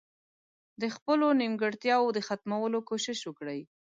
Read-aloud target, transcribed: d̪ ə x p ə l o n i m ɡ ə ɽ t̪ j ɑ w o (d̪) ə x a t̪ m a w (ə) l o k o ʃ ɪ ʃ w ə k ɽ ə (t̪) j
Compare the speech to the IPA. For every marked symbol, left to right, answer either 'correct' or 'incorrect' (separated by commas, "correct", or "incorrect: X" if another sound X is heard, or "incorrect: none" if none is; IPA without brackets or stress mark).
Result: correct, correct, incorrect: none